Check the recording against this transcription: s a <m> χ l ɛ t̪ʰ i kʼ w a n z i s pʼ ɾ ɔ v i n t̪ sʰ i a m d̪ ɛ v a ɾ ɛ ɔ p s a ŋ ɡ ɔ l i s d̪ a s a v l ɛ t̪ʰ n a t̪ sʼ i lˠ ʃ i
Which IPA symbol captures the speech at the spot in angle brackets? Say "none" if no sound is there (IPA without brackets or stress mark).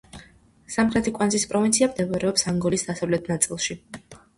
m